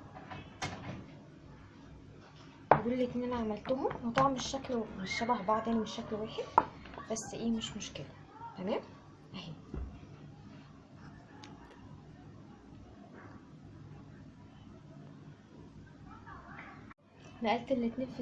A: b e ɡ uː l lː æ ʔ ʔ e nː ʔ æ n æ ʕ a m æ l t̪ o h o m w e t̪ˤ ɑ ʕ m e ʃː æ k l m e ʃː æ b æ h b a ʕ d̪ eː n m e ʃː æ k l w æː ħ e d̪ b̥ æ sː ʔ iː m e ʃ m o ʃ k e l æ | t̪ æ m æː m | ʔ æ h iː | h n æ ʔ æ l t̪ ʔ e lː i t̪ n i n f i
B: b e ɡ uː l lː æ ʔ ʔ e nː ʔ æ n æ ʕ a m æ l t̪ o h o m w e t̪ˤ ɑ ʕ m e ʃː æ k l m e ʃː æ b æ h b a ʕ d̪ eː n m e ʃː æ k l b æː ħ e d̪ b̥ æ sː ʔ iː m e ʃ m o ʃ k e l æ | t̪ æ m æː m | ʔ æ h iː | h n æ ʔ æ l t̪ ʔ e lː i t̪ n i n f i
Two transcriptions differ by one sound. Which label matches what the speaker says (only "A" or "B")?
A